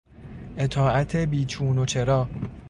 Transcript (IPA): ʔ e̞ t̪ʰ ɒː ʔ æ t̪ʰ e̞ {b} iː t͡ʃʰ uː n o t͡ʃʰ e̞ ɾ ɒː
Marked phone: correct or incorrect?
correct